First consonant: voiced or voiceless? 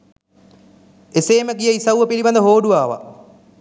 voiceless